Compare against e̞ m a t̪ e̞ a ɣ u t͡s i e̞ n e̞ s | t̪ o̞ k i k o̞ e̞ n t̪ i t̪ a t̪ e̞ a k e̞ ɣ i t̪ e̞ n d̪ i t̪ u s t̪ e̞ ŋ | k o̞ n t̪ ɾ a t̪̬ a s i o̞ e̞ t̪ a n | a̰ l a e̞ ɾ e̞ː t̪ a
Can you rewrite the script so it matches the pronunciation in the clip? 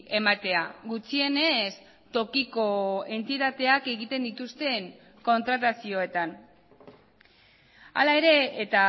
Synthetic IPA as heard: e̞ m a t̪ e̞ a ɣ u t͡s i e̞ n e̞ s | t̪ o̞ k i k o̞ e̞ n t̪ i t̪ a t̪ e̞ a k e̞ ɣ i t̪ e̞ n d̪ i t̪ u s t̪ e̞ ŋ | k o̞ n t̪ ɾ a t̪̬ a s i o̞ e̞ t̪ a n | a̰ l a e̞ ɾ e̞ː t̪ a